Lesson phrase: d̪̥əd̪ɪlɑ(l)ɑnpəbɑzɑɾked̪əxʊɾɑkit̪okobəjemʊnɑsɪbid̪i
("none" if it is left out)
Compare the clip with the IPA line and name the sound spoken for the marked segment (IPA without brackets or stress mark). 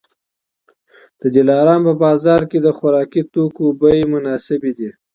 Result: ɾ